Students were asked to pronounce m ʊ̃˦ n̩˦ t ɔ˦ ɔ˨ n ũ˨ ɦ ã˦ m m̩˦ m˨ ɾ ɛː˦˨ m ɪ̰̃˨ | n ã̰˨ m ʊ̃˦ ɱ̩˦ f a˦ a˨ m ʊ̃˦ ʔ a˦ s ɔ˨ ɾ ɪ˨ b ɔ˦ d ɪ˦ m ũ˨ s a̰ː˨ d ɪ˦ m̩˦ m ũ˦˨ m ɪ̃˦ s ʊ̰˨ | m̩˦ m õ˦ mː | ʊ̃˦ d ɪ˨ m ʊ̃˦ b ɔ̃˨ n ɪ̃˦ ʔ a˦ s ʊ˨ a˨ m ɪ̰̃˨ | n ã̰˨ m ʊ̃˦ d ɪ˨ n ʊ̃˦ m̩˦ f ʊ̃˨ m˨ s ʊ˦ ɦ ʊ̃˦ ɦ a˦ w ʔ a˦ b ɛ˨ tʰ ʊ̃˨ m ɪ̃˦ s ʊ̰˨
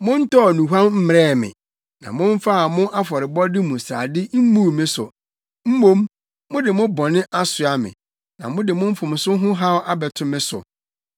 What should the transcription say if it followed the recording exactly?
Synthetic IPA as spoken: m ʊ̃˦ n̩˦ t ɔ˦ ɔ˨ n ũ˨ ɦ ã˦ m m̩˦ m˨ ɾ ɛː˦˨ m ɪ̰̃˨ | n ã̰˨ m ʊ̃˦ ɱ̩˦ f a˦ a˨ m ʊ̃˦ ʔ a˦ f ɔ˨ ɾ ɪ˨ b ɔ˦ d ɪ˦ m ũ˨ s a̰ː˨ d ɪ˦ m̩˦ m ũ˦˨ m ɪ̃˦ s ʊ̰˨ | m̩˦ m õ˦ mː | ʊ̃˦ d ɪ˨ m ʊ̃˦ b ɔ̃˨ n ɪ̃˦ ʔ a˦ s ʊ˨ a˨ m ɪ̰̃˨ | n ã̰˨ m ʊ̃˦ d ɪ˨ m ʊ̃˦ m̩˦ f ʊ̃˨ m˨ s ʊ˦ ɦ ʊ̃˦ ɦ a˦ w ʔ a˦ b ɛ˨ tʰ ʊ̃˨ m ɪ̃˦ s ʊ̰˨